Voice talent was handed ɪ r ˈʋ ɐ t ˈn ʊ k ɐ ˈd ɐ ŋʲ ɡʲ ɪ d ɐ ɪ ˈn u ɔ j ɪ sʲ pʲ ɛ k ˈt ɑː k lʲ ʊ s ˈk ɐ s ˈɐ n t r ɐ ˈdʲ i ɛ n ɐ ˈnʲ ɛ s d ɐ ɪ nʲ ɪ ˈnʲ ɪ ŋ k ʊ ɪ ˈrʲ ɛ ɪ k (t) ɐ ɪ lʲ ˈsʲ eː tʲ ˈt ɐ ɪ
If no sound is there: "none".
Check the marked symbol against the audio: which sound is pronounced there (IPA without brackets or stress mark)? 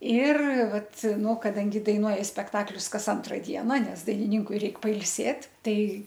p